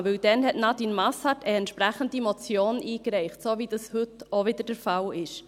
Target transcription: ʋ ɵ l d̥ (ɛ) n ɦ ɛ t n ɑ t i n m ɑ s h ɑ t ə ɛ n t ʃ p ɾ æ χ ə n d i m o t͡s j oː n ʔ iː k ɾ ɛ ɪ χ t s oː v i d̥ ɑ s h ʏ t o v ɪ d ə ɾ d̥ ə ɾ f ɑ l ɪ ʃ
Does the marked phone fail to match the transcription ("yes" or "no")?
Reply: no